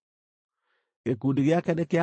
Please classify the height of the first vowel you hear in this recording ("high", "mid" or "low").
mid